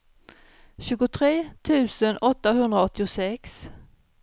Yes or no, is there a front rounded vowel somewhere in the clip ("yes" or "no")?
no